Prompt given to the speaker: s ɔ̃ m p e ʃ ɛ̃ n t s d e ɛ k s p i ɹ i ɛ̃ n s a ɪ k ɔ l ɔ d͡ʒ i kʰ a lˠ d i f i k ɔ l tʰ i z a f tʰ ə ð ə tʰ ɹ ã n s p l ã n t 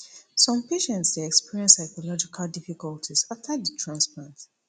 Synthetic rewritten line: s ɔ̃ m p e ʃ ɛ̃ n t s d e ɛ k s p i ɹ i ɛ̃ n s a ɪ k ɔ l ɔ d͡ʒ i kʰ a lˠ d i f i k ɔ l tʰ i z a f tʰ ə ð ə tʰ ɹ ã n s p l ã n t